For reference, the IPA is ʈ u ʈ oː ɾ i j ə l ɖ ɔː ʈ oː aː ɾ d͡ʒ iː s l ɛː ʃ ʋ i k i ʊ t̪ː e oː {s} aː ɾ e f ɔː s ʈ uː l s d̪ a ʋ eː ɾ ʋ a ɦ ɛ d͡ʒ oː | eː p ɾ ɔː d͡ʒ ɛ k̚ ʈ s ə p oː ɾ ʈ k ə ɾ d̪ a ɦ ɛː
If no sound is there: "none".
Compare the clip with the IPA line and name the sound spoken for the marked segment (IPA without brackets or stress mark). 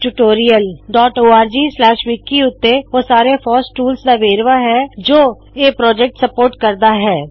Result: s